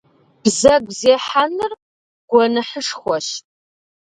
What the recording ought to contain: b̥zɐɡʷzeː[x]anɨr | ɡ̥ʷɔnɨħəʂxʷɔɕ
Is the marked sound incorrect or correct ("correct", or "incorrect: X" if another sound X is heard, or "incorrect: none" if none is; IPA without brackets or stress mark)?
incorrect: ħ